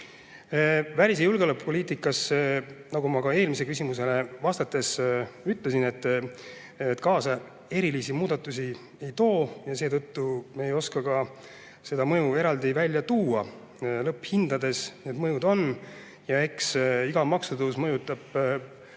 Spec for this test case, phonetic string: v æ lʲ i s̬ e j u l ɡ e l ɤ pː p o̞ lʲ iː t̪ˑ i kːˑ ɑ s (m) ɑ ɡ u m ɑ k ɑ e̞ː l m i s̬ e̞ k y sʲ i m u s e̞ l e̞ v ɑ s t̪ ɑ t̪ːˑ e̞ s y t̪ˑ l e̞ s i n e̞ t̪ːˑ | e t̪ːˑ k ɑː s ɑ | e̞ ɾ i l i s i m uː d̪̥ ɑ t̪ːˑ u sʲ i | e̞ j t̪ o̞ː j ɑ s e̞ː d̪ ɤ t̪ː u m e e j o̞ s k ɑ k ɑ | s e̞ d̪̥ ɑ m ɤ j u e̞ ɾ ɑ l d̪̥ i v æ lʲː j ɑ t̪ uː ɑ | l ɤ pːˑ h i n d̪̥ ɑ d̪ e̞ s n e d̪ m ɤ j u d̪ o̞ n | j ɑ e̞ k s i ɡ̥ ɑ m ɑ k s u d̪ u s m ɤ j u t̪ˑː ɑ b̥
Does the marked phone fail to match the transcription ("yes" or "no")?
yes